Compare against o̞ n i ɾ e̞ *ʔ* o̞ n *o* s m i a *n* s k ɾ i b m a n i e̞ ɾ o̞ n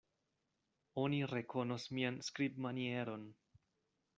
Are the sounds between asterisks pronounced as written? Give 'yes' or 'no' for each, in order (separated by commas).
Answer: no, yes, yes